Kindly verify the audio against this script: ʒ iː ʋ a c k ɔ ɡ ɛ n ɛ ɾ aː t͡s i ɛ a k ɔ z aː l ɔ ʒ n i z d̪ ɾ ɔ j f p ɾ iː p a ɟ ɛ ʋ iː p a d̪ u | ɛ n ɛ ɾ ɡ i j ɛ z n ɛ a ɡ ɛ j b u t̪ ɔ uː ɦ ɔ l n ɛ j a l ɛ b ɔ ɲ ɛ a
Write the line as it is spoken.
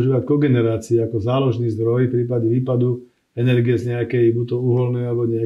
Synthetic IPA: ʒ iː ʋ a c k ɔ ɡ ɛ n ɛ ɾ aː t͡s i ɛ a k ɔ z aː l ɔ ʒ n i z d̪ ɾ ɔ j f p ɾ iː p a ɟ ɛ ʋ iː p a d̪ u | ɛ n ɛ ɾ ɡ i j ɛ z ɲ ɛ a k ɛ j b u t̪ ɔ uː ɦ ɔ l n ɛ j a l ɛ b ɔ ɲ ɛ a